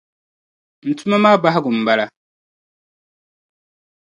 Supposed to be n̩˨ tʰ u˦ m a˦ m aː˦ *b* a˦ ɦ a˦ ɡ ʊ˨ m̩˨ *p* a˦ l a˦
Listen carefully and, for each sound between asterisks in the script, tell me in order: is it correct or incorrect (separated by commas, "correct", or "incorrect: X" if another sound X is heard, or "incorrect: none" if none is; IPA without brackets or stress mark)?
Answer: correct, incorrect: b